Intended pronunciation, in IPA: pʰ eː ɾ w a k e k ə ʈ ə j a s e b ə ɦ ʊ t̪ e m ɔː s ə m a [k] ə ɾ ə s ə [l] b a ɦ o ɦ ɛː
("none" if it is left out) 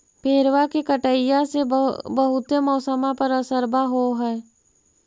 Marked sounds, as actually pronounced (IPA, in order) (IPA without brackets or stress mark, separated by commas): p, ɾ